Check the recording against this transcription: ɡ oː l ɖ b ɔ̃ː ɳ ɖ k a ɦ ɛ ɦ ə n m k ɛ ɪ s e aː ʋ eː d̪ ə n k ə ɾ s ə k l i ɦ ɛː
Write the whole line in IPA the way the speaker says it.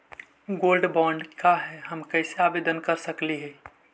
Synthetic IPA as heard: ɡ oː l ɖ b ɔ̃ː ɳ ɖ k a ɦ ɛ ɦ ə m k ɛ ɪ s e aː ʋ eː d̪ ə n k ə ɾ s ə k l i ɦ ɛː

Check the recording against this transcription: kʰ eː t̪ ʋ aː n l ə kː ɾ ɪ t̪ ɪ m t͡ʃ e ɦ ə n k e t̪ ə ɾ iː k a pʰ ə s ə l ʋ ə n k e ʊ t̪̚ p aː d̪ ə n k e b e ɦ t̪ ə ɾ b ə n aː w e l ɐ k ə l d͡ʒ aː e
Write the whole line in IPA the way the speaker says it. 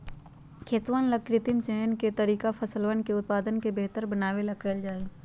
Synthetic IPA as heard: kʰ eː t̪ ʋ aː n l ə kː ɾ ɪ t̪ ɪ m t͡ʃ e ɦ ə n k e t̪ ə ɾ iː k a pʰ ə s ə l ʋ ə n k e ʊ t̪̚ p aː d̪ ə n k e b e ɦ t̪ ə ɾ b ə n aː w e l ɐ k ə l d͡ʒ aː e

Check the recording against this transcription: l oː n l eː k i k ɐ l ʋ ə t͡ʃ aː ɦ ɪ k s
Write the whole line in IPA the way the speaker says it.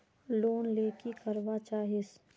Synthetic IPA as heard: l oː n l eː k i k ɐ ɾ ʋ a t͡ʃ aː ɦ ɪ s

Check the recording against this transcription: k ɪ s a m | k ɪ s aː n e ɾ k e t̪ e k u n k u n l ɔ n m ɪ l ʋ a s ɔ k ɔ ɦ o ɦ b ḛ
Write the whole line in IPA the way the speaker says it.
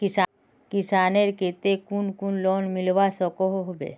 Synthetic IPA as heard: k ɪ s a | k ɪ s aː n e ɾ k e t̪ e k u n k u n l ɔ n m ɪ l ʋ a s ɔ k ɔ ɦ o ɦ b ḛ

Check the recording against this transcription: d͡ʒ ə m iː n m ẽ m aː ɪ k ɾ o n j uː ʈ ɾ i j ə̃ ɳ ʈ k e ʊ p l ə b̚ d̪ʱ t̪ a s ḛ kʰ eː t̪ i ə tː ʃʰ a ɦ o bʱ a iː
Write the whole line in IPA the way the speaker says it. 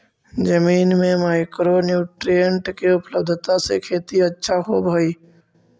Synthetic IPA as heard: d͡ʒ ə m iː n m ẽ m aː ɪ k ɾ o n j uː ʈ ɾ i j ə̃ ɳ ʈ k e ʊ p l ə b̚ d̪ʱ t̪ a s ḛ kʰ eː t̪ i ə tː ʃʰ a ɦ o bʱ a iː

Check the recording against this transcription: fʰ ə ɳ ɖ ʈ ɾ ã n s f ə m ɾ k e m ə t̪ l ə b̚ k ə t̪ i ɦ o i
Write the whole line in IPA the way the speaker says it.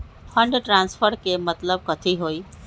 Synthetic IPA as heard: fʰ ə ɳ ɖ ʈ ɾ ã n s f ə ɾ k e m ə t̪ l ə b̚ k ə t̪ʰ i ɦ o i

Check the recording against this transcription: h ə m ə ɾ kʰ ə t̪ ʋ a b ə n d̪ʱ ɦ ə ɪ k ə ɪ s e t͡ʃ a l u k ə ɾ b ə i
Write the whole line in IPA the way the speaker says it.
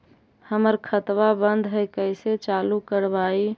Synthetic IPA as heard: h ə m ə ɾ kʰ ə t̪ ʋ a b ə n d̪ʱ ɦ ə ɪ k ə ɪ s e t͡ʃ a l u k ə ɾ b a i

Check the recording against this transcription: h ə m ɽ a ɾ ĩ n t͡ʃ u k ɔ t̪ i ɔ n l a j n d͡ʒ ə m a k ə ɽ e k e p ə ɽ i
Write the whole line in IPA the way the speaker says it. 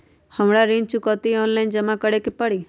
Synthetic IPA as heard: h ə m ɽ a ɾ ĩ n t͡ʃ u k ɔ t̪ i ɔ n l a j n d͡ʒ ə m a k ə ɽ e k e p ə ɽ i

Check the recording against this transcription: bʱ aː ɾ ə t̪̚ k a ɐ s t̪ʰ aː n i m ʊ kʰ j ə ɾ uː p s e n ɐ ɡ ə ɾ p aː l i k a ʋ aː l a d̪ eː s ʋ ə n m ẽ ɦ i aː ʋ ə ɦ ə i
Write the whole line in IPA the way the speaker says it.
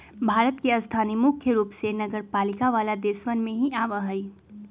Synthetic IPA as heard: bʱ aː ɾ ə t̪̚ k e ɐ s t̪ʰ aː n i m ʊ kʰ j ə ɾ uː p s e n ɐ ɡ ə ɾ p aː l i k a ʋ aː l a d̪ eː s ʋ ə n m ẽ ɦ i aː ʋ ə ɦ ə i

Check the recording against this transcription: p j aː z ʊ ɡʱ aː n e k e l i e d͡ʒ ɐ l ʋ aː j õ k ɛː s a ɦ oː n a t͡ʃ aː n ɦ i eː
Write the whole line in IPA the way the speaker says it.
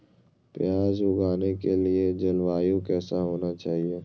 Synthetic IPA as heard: p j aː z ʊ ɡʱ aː n e k e l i e d͡ʒ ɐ l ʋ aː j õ k ɛː s a ɦ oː n a t͡ʃ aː ɦ i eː

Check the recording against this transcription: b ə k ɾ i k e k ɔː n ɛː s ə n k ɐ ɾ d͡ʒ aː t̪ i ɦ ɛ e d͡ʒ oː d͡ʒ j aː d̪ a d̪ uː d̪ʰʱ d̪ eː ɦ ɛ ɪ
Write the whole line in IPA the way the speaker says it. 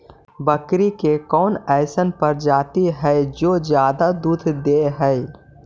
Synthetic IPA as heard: b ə k ɾ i k e k ɔː n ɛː s ə n p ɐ ɾ d͡ʒ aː t̪ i ɦ ɛ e d͡ʒ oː d͡ʒ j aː d̪ a d̪ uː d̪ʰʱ d̪ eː ɦ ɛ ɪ

